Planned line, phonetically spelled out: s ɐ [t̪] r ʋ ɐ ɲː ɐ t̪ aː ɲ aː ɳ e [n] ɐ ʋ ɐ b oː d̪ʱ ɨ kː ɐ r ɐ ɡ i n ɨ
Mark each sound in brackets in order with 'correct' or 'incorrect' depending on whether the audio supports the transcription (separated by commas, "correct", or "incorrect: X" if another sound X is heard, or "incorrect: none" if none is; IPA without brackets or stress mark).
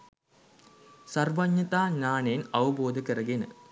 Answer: incorrect: none, correct